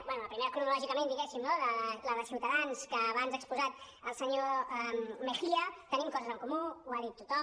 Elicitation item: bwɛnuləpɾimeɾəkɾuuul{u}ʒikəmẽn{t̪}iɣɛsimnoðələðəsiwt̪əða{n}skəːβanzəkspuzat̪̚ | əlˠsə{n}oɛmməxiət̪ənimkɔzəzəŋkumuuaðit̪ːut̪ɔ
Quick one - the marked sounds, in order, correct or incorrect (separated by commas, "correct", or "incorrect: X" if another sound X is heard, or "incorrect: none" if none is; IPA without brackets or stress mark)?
incorrect: ɔ, incorrect: d̪, correct, incorrect: ɲ